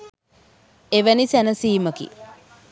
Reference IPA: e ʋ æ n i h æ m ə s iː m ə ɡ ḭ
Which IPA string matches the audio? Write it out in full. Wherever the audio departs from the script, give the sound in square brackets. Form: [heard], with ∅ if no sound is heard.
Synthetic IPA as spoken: e ʋ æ n i [s] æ [n] ə s iː m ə [k] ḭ